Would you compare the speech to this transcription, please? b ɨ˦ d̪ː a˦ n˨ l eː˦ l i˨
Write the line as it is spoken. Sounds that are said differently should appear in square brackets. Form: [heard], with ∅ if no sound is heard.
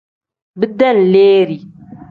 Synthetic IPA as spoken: b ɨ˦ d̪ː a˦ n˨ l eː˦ [ɾ] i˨

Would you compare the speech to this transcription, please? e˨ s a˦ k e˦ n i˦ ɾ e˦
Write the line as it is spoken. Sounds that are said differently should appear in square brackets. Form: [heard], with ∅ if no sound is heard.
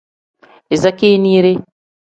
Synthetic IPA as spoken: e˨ [z] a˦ k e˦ n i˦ ɾ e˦

